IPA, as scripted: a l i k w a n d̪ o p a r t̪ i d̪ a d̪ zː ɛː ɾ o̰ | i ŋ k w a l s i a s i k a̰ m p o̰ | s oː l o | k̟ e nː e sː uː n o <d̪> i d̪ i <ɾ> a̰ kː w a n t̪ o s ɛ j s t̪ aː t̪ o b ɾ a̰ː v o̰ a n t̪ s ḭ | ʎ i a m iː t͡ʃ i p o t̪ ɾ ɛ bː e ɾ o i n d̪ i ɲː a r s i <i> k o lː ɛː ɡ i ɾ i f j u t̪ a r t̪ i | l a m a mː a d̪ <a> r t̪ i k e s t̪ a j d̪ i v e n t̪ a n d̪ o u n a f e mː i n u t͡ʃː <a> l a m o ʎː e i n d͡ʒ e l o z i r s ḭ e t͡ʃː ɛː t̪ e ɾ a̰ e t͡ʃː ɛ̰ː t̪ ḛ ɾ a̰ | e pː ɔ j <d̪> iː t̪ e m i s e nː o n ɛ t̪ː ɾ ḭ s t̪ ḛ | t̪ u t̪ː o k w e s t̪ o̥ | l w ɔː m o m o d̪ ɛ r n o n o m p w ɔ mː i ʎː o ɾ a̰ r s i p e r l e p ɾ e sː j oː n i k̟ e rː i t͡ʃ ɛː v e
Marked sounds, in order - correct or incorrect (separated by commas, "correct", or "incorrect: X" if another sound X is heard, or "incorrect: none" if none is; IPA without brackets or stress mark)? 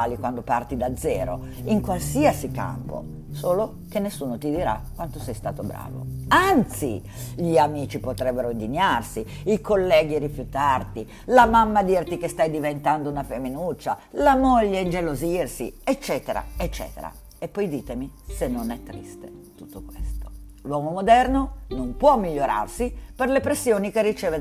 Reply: incorrect: t̪, correct, correct, incorrect: i, correct, correct